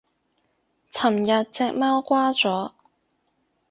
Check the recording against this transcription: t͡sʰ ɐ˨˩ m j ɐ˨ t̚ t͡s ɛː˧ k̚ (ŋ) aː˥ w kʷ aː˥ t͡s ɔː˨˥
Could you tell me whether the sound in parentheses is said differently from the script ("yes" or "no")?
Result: yes